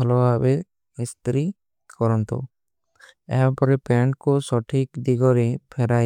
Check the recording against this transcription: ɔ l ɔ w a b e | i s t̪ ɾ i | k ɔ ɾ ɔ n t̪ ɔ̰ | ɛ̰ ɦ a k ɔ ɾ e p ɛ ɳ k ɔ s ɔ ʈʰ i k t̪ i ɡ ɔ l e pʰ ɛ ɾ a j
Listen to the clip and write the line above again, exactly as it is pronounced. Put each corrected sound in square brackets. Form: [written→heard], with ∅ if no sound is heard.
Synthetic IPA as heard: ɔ l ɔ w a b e | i s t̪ ɾ i | k ɔ ɾ ɔ n t̪ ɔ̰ | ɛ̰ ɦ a [k→p] ɔ ɾ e p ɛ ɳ k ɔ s ɔ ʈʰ i k [t̪→d̪] i ɡ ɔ [l→ɾ] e pʰ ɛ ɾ a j